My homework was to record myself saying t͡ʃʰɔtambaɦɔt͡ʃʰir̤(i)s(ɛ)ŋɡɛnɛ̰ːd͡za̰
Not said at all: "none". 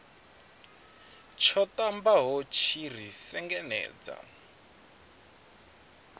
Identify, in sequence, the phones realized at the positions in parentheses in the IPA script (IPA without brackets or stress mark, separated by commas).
i, ɛ